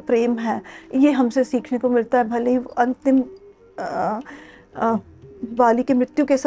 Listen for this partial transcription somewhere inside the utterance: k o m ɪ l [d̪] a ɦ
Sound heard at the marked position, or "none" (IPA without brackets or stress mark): t̪